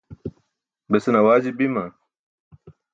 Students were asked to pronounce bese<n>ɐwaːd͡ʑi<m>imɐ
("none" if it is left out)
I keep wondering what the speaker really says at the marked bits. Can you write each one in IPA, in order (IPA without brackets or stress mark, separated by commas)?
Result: n, b